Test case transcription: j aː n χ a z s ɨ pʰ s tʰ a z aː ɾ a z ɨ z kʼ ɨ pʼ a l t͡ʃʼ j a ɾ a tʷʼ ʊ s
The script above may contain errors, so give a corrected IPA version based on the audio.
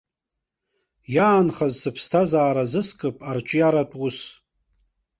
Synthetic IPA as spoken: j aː n χ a z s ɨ pʰ s tʰ a z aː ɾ a z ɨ s kʼ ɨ pʼ a r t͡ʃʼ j a ɾ a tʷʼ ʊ s

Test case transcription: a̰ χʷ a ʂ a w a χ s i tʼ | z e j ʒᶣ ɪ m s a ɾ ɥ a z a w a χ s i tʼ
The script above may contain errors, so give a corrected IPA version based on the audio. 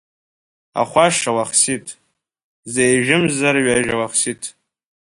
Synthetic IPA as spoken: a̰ χʷ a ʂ a w a χ s i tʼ | z e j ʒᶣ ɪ m z a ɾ ɥ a ʒ a w a χ s i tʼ

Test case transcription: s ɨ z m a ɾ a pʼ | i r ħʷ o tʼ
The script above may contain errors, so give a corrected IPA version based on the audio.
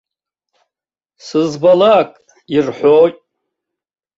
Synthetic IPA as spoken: s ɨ z b a l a kʼ | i r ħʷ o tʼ

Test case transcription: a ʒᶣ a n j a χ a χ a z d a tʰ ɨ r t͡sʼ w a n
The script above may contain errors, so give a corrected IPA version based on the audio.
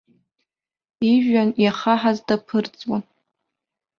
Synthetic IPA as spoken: i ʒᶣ a n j a χ a ħ a z d a pʰ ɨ r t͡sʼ w a n

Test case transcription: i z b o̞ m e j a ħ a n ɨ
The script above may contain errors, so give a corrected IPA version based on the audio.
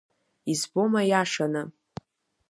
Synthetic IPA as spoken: i z b o̞ m a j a ʂ a n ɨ

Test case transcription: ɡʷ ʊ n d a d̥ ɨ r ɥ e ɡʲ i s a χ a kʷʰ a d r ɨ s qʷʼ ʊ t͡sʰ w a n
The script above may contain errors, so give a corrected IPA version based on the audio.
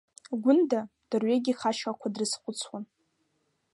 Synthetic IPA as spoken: ɡʷ ʊ n d a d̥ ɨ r ɥ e ɡʲ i χ a ʃ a kʷʰ a d r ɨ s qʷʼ ʊ t͡sʰ w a n

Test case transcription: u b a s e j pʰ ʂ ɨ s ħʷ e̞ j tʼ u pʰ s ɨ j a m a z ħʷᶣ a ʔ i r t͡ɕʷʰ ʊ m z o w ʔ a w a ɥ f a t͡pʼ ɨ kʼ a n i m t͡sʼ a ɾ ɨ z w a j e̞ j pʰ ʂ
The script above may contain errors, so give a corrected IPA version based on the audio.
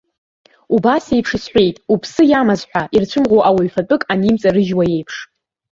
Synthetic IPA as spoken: u b a s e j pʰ ʂ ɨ s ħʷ e̞ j tʼ u pʰ s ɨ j a m a z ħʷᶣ a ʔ i r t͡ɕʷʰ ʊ m ʁ o w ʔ a w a ɥ f a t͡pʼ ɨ kʼ a n i m t͡sʼ a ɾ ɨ ʒ w a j e̞ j pʰ ʂ

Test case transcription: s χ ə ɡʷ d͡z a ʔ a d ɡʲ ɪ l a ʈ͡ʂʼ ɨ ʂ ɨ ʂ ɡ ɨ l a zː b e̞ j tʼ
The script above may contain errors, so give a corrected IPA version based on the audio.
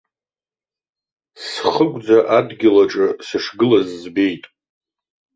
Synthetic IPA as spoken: s χ ə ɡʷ d͡z a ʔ a d ɡʲ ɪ l a ʈ͡ʂʼ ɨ s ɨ ʂ ɡ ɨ l a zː b e̞ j tʼ

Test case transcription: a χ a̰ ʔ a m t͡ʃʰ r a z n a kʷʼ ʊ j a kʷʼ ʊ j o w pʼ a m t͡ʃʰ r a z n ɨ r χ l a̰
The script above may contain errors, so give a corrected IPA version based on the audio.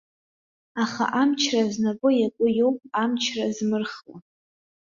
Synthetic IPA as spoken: a χ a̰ ʔ a m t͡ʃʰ r a z n a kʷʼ ʊ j a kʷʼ ʊ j o w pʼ a m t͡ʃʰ r a z m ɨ r χ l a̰

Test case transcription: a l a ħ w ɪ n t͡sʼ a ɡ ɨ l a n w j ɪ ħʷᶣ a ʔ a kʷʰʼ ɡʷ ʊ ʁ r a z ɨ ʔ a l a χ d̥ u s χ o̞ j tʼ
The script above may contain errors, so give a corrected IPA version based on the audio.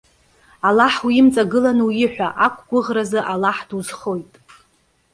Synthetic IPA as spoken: a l a ħ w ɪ m t͡sʼ a ɡ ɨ l a n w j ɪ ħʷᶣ a ʔ a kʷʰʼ ɡʷ ʊ ʁ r a z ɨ ʔ a l a ħ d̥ u z χ o̞ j tʼ

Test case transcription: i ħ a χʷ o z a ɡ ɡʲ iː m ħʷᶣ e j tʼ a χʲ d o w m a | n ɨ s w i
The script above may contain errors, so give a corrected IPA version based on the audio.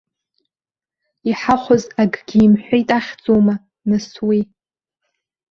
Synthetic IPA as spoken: i ħ a χʷ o z a ɡ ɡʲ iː m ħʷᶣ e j tʼ a χʲ d͡z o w m a | n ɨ s w i

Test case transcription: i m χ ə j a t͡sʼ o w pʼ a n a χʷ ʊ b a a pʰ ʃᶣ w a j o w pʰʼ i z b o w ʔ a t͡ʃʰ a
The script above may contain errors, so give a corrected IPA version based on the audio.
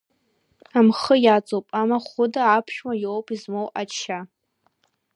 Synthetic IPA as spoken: a m χ ə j a t͡sʼ o w pʼ a m a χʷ ʊ d a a pʰ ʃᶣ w a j o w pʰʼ i z m o w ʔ a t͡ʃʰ a

